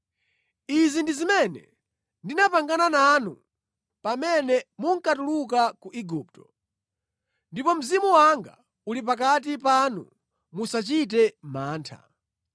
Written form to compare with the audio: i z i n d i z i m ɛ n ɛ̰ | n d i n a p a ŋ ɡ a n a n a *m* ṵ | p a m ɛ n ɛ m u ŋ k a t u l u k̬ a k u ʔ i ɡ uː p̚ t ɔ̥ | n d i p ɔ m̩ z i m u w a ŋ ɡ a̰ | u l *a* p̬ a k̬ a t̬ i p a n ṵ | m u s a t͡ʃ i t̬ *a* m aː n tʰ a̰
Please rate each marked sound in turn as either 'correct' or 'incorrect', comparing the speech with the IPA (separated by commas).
incorrect, incorrect, incorrect